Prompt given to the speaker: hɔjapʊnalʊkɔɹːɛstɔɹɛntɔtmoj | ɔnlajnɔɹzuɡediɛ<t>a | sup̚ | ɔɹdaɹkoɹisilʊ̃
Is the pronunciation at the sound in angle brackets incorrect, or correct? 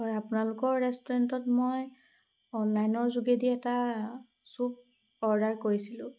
correct